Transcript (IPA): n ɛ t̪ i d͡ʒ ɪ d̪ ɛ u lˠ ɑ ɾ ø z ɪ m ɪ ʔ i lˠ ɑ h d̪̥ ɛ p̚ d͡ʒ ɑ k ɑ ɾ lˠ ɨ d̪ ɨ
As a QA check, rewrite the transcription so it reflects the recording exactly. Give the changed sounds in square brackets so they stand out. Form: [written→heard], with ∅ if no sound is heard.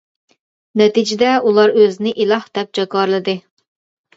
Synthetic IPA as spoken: n ɛ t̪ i d͡ʒ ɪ d̪ ɛ u lˠ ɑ ɾ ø z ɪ [m→n] ɪ ʔ i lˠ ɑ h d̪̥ ɛ p̚ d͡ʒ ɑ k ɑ ɾ lˠ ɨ d̪ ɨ